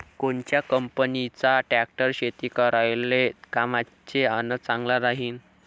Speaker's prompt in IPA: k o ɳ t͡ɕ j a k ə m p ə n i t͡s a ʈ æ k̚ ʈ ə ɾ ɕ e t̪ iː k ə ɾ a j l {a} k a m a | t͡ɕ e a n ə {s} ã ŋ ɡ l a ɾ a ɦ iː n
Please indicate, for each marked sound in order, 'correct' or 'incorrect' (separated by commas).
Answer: incorrect, incorrect